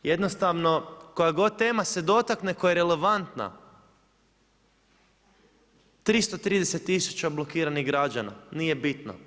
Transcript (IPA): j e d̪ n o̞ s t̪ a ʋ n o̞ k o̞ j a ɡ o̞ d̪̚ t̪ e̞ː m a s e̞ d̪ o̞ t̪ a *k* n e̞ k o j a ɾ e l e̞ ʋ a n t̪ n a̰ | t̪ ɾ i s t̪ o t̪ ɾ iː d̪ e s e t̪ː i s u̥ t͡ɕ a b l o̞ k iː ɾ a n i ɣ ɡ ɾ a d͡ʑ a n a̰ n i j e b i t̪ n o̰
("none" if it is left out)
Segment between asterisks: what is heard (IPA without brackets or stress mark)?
k